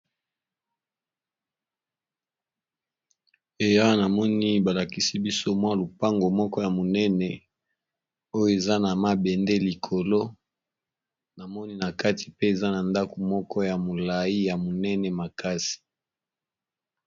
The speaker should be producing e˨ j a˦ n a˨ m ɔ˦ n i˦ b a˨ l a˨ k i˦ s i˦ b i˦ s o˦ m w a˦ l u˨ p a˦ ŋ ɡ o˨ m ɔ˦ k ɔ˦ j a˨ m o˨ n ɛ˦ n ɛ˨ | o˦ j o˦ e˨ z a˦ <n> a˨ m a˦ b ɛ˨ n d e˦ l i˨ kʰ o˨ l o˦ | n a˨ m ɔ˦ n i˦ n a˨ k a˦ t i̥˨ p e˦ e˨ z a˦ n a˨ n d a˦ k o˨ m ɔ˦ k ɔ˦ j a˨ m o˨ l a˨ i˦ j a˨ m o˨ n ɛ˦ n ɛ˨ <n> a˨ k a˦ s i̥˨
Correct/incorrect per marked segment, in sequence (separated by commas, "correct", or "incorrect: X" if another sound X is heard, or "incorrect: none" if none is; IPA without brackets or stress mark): correct, incorrect: m